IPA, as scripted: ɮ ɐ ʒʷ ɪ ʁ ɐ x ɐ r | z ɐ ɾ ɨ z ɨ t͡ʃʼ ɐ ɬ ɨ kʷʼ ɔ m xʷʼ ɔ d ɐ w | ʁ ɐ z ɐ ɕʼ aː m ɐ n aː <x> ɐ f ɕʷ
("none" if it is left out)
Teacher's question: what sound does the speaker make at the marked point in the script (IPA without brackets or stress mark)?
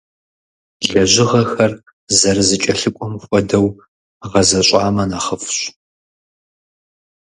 χ